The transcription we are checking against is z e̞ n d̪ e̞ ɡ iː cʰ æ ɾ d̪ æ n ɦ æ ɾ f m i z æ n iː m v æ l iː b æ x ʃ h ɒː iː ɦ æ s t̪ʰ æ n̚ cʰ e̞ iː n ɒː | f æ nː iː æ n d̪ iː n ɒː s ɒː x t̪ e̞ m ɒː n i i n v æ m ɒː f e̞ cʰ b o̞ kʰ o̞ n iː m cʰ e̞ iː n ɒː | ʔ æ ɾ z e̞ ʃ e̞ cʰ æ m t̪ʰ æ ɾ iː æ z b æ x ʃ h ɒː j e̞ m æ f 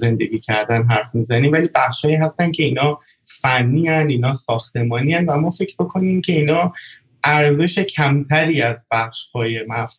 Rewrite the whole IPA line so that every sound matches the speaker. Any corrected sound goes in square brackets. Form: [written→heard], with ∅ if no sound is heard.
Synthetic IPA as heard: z e̞ n d̪ e̞ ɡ iː cʰ æ ɾ d̪ æ n ɦ æ ɾ f m i z æ n iː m v æ l iː b æ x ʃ h ɒː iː ɦ æ s [t̪ʰ→t̪] æ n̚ cʰ e̞ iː n ɒː | f æ nː iː æ n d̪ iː n ɒː s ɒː x t̪ e̞ m ɒː n i [i→æ] n v æ m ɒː f e̞ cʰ b o̞ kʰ o̞ n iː m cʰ e̞ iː n ɒː | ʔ æ ɾ z e̞ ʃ e̞ cʰ æ m t̪ʰ æ ɾ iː æ z b æ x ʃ h ɒː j e̞ m æ f